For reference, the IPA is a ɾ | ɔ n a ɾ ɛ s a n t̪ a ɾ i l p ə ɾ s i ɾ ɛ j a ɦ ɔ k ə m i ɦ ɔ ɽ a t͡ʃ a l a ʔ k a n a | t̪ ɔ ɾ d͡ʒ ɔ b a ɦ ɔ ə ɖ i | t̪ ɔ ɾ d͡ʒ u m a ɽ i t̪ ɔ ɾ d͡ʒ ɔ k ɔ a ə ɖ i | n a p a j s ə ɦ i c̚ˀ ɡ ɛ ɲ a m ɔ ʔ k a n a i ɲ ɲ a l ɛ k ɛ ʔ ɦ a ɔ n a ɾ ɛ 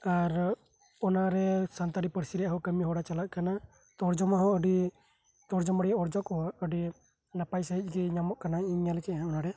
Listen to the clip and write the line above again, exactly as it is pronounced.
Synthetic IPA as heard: a ɾ | ɔ n a ɾ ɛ s a n t̪ a ɾ i p ə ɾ s i ɾ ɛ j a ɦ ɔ k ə m i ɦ ɔ ɽ a t͡ʃ a l a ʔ k a n a | t̪ ɔ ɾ d͡ʒ ɔ m a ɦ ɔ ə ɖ i | t̪ ɔ ɾ d͡ʒ ɔ m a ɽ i ɔ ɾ d͡ʒ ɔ k ɔ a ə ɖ i | n a p a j s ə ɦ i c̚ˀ ɡ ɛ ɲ a m ɔ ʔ k a n a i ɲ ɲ a l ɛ k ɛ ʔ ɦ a ɔ n a ɾ ɛ